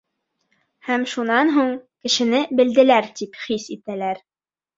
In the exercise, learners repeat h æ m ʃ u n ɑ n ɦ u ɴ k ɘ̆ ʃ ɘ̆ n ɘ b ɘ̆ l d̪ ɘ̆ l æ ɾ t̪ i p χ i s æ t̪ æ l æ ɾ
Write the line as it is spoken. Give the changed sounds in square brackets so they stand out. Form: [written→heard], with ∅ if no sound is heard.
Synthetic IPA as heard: h æ m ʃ u n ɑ n ɦ u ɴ k ɘ̆ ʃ ɘ̆ n ɘ b ɘ̆ l d̪ ɘ̆ l æ ɾ t̪ i p χ i s [æ→i] t̪ æ l æ ɾ